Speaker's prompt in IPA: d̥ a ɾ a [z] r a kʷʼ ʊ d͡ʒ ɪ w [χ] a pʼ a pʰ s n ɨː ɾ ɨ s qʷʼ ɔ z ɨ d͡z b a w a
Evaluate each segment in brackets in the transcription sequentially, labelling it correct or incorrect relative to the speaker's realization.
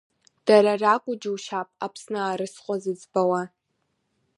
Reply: incorrect: none, incorrect: ʃ

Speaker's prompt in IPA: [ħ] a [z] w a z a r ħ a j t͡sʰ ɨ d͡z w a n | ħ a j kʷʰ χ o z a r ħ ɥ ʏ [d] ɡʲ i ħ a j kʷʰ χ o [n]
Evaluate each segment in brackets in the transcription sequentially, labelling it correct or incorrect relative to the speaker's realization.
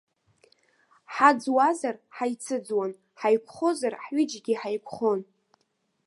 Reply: correct, incorrect: d͡z, incorrect: d͡ʒ, correct

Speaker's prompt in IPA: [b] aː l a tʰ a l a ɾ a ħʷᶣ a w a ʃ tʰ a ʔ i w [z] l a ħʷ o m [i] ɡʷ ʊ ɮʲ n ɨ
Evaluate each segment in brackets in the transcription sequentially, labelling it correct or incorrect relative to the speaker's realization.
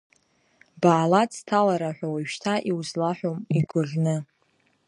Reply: correct, correct, correct

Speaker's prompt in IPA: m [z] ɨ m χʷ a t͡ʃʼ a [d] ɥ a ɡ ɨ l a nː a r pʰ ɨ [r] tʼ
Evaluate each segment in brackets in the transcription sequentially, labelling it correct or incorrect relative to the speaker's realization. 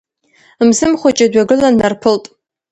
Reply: correct, correct, incorrect: l

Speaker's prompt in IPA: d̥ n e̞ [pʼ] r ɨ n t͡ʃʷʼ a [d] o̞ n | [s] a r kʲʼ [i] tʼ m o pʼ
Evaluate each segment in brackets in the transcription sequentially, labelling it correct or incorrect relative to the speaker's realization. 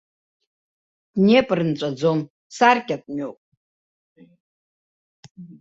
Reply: correct, incorrect: d͡z, correct, incorrect: a

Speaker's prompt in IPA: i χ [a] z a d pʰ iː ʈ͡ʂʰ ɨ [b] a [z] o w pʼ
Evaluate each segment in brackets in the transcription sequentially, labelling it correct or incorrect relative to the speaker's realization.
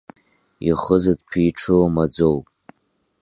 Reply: incorrect: ə, incorrect: m, incorrect: d͡z

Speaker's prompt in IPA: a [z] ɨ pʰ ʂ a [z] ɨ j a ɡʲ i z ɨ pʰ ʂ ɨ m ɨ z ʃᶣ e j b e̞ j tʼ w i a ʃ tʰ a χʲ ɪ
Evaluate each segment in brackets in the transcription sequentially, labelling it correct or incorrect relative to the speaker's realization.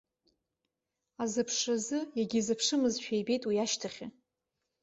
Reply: correct, correct

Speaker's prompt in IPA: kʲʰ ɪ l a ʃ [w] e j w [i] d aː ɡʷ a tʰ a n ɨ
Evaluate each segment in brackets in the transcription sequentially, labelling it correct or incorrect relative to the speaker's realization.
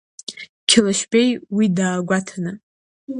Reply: incorrect: b, correct

